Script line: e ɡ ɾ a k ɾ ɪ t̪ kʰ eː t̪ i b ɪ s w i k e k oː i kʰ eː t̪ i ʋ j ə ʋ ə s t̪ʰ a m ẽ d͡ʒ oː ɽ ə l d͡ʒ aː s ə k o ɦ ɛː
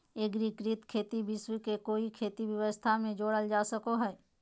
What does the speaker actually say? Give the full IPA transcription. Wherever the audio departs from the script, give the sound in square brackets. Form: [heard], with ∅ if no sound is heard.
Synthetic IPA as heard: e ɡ ɾ [i] k ɾ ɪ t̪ kʰ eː t̪ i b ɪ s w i k e k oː i kʰ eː t̪ i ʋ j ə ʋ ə s t̪ʰ a m ẽ d͡ʒ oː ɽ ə l d͡ʒ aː s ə k o ɦ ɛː